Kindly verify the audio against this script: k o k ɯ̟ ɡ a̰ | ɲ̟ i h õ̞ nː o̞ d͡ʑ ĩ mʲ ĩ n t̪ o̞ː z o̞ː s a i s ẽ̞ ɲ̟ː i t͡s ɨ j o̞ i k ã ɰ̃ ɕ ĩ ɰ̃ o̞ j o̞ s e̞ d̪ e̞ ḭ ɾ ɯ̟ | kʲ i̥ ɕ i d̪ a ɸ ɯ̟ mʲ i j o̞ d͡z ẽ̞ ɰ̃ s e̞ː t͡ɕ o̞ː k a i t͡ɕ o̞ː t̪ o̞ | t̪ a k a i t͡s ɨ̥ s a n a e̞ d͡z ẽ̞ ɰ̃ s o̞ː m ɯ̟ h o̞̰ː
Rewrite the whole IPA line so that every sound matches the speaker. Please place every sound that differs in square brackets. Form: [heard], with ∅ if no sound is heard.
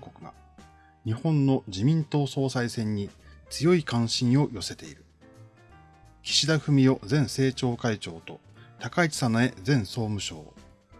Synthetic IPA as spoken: k o k ɯ̟ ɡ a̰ | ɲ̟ i h õ̞ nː o̞ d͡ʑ [i] mʲ ĩ n t̪ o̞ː [s] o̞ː s a i s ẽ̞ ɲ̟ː i t͡s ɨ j o̞ i k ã ɰ̃ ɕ ĩ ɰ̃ o̞ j o̞ s e̞ [t̪] e̞ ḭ ɾ ɯ̟ | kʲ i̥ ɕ i d̪ a ɸ ɯ̟ mʲ i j o̞ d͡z ẽ̞ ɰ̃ s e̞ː t͡ɕ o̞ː k a i t͡ɕ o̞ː t̪ o̞ | t̪ a k a i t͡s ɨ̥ s a n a e̞ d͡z ẽ̞ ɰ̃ s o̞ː m ɯ̟ [ɕ] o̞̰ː